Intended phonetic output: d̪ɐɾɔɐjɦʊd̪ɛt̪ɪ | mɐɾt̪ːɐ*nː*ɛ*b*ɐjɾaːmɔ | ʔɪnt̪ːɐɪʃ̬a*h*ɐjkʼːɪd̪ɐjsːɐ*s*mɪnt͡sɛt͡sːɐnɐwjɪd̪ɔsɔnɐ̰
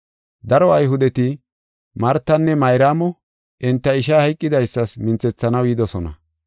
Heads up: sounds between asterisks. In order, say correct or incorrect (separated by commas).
correct, incorrect, correct, correct